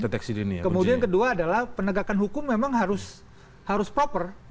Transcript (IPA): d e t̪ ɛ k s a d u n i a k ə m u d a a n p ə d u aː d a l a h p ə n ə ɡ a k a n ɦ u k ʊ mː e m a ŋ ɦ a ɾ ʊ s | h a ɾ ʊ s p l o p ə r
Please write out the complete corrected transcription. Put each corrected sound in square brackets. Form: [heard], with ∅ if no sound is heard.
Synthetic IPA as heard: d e t̪ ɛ k s [i] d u n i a k ə m u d [i] a n [k] ə d u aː d a l a h p ə n ə ɡ a k a n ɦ u k ʊ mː e m a ŋ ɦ a ɾ ʊ s | h a ɾ ʊ s p [ɾ] o p ə r